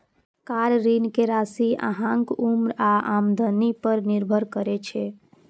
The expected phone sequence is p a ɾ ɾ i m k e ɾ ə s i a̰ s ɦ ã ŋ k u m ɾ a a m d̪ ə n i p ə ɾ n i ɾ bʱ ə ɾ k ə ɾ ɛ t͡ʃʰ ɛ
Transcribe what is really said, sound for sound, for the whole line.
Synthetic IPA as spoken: k a ɾ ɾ i n k e ɾ a s i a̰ ɦ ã ŋ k u m ɾ a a m d̪ ə n i p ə ɾ n i ɾ bʱ ə ɾ k ə ɾ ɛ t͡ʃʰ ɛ